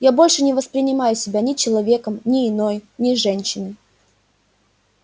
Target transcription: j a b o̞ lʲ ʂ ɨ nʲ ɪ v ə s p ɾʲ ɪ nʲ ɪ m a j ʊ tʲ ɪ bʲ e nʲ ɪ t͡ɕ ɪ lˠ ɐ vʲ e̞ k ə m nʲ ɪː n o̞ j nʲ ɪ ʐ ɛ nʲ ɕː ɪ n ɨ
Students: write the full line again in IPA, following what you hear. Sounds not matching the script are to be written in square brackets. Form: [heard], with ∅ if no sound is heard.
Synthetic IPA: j a b o̞ lʲ ʂ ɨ nʲ ɪ v ə s p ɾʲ ɪ nʲ ɪ m a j ʊ [sʲ] ɪ bʲ [a] nʲ ɪ t͡ɕ ɪ lˠ ɐ vʲ e̞ k ə m nʲ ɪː n o̞ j nʲ ɪ ʐ ɛ nʲ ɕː ɪ n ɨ

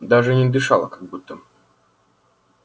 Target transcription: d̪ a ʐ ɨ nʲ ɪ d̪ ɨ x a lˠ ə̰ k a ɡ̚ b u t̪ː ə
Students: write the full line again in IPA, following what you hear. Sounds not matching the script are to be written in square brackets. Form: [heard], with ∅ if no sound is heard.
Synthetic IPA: d̪ a ʐ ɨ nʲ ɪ d̪ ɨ [ʂ] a lˠ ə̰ k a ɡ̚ b u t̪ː ə

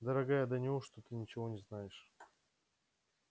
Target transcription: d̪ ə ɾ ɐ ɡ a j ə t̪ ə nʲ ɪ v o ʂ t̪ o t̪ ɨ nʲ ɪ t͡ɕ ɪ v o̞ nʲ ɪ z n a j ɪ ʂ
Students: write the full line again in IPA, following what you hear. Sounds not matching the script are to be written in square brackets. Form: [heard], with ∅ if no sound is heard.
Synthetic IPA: d̪ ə ɾ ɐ ɡ a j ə [d̪] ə nʲ ɪ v o ʂ t̪ o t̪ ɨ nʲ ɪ t͡ɕ ɪ v o̞ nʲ ɪ z n a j ɪ ʂ

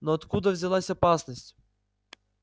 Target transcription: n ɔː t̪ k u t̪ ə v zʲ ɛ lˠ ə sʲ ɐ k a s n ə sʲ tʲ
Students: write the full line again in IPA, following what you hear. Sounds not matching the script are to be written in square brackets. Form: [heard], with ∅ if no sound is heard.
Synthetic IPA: n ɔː t̪ k u [d̪] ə v zʲ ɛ lˠ [a] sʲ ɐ [p] a s n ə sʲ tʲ

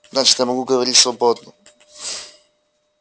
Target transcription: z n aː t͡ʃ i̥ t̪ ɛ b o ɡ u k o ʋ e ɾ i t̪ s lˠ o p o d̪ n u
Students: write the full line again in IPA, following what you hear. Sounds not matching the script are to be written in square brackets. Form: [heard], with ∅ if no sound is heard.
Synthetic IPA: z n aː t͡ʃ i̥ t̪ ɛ [m] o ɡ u [ɡ] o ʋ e ɾ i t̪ s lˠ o [b] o d̪ n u

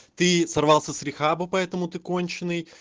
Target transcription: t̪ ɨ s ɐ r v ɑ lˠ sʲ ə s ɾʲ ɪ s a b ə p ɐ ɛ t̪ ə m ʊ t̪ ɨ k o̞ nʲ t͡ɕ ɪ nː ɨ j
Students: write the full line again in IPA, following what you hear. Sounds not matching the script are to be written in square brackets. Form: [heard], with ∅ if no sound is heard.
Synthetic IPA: t̪ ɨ s ɐ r v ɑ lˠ sʲ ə s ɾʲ ɪ [x] a b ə p ɐ ɛ t̪ ə m ʊ t̪ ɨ k o̞ nʲ t͡ɕ ɪ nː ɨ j

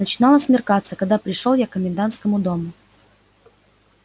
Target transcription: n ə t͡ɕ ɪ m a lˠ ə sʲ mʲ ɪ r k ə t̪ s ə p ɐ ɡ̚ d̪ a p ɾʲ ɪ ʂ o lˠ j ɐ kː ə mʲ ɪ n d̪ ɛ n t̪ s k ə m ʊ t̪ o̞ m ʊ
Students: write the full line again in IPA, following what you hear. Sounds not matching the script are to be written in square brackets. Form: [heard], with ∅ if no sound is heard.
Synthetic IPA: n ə t͡ɕ ɪ [n] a lˠ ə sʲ mʲ ɪ r k [a] t̪ s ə [k] ɐ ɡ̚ d̪ a p ɾʲ ɪ ʂ o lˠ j [a] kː ə mʲ ɪ n d̪ [a] n t̪ s k ə m ʊ [d̪] o̞ m ʊ

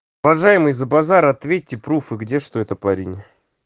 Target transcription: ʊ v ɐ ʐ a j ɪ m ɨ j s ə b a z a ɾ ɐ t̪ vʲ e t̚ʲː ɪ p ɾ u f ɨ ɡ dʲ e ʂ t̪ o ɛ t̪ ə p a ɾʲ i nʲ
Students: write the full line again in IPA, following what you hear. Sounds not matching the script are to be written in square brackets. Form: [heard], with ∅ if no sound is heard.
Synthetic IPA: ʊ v ɐ ʐ a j ɪ m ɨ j [z] ə b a z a ɾ ɐ t̪ vʲ e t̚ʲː ɪ p ɾ u f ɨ ɡ dʲ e ʂ t̪ o ɛ t̪ ə p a ɾʲ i nʲ

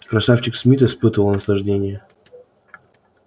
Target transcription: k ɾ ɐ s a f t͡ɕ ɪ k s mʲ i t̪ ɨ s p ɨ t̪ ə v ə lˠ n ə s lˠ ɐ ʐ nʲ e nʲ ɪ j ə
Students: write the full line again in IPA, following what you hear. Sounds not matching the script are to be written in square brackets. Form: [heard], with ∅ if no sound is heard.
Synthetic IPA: k ɾ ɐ s a f t͡ɕ ɪ k s mʲ i t̪ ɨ s p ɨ t̪ ə v ə lˠ n ə s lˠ ɐ ʐ [dʲ] e nʲ ɪ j ə

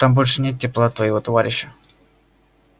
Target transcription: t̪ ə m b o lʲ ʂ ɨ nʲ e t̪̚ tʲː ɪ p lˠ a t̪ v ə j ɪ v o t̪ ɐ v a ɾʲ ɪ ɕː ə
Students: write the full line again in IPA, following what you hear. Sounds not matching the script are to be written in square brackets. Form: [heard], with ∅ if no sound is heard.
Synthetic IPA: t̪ [a] m b o lʲ ʂ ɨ nʲ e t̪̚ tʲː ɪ p lˠ a t̪ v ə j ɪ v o t̪ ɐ v a ɾʲ ɪ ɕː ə

